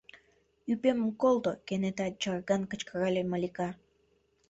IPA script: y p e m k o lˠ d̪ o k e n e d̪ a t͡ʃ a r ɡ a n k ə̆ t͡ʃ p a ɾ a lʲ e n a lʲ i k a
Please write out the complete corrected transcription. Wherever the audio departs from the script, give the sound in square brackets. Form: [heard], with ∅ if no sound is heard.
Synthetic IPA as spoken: y p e m k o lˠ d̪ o k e n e [t̪] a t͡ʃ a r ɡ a n k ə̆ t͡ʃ [k] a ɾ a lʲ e [m] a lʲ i k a